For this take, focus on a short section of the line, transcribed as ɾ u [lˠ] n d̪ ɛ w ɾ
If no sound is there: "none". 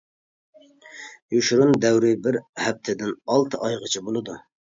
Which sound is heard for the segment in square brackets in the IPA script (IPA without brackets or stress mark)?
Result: none